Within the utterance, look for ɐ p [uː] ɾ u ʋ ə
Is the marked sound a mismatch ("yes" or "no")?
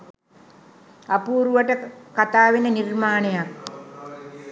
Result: no